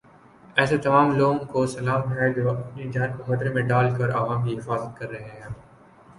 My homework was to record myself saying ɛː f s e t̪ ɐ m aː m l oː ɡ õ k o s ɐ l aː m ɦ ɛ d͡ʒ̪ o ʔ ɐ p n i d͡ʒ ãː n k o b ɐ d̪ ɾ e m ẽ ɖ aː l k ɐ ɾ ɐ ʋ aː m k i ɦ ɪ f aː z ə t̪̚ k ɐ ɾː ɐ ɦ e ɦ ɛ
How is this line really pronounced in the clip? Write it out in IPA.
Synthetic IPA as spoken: ɛː s e t̪ ɐ m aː m l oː ɡ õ k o s ɐ l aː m ɦ ɛ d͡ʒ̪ o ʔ ɐ p n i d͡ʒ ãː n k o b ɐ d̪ ɾ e m ẽ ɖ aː l k ɐ ɾ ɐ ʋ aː m k i ɦ ɪ f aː z ə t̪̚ k ɐ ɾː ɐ ɦ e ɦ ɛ